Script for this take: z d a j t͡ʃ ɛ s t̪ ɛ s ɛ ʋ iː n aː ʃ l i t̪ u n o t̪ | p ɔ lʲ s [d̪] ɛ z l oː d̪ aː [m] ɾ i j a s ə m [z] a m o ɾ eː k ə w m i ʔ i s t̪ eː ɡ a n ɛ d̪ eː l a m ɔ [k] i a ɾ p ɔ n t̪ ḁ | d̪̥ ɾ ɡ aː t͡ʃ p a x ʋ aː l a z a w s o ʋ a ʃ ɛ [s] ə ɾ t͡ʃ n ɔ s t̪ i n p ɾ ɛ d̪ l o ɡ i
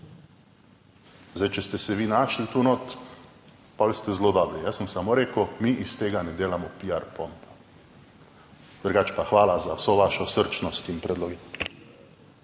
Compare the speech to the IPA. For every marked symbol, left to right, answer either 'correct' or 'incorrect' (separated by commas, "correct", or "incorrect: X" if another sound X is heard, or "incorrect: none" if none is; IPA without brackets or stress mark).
incorrect: t̪, incorrect: b, incorrect: s, incorrect: p, correct